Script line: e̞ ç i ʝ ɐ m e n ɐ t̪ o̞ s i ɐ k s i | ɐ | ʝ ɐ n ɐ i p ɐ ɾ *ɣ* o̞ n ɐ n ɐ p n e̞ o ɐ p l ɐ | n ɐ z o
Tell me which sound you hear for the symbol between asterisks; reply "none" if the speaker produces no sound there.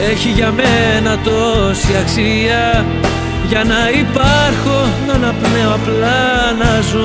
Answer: x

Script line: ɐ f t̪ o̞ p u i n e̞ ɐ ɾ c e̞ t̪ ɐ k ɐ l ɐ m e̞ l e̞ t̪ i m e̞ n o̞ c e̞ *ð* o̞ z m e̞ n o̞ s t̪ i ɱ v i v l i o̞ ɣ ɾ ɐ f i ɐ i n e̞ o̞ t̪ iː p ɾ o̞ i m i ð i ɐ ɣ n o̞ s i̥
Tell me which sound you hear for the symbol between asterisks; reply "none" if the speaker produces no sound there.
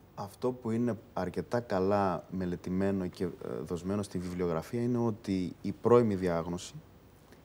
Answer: ð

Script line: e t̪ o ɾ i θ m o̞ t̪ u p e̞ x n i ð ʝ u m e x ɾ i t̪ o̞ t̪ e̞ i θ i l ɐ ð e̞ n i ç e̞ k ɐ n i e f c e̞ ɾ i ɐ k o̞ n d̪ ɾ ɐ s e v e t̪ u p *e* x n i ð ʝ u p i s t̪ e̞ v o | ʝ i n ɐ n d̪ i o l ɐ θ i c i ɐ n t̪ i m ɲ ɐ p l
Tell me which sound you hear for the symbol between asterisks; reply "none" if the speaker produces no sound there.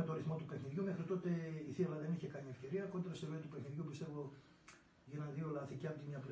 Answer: e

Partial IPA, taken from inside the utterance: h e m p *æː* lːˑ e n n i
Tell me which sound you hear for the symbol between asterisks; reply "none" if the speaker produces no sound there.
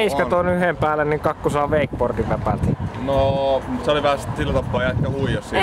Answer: æː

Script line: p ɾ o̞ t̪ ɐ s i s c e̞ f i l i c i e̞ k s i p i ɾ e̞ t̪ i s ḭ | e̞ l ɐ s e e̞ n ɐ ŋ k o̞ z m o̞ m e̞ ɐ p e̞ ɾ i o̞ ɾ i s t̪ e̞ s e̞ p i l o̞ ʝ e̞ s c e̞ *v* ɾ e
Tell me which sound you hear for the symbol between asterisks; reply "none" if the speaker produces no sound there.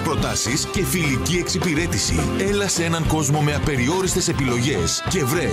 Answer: v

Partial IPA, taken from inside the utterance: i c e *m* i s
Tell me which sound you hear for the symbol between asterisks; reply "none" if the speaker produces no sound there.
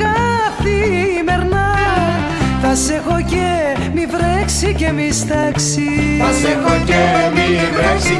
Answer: m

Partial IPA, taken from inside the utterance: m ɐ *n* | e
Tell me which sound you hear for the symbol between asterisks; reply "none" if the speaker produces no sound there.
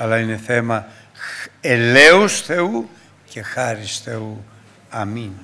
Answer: none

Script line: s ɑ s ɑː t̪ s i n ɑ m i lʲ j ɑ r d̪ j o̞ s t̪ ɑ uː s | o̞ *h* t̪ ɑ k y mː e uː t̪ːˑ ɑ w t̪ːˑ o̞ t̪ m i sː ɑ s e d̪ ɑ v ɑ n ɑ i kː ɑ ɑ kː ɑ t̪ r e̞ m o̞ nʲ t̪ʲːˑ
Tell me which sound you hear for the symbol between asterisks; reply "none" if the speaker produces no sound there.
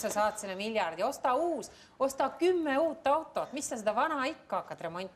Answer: s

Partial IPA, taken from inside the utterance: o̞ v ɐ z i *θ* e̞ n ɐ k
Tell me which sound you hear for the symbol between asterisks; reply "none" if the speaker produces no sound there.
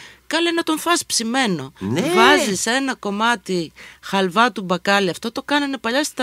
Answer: s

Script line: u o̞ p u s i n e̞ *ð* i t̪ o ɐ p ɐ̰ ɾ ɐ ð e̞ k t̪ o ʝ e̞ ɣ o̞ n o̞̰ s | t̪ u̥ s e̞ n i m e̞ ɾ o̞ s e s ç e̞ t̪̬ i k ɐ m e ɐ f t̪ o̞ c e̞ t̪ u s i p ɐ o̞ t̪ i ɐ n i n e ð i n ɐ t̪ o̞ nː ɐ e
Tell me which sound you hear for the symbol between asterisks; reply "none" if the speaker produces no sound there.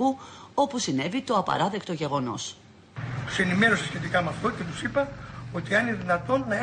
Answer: v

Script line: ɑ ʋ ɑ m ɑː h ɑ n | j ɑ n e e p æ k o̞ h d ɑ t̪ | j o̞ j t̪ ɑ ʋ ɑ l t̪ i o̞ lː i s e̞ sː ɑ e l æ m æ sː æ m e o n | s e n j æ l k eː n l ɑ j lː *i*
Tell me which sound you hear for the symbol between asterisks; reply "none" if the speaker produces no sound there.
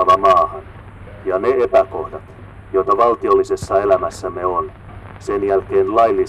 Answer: i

